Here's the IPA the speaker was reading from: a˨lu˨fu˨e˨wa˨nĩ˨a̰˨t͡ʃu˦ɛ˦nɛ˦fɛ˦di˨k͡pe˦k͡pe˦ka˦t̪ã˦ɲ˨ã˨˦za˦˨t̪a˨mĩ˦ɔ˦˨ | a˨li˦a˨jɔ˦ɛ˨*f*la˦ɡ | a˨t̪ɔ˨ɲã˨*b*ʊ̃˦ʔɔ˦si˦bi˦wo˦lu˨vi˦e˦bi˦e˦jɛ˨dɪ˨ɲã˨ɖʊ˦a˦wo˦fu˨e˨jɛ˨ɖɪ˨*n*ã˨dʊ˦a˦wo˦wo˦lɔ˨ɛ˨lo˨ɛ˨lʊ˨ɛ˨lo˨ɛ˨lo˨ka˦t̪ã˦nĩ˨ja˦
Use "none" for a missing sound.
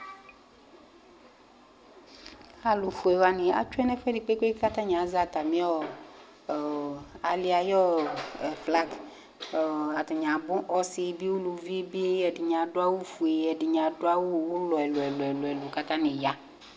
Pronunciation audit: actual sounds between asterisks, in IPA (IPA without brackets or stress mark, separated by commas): f, b, ɲ